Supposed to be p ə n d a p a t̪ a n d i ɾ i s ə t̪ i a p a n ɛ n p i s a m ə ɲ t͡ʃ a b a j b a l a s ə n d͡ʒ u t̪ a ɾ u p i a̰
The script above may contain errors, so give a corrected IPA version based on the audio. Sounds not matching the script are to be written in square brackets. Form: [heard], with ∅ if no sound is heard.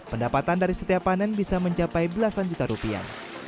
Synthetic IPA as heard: p ə n d a p a t̪ a n d [a] ɾ i s ə t̪ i a p a n ɛ n [b] i s a m ə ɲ t͡ʃ a [p] a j b [ə] l a s [a] n d͡ʒ u t̪ a ɾ u p i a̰